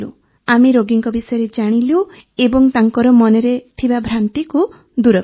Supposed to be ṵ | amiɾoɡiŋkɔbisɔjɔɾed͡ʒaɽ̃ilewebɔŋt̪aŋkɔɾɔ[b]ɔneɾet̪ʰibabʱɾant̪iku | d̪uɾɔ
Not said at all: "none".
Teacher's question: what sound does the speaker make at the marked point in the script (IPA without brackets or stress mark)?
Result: m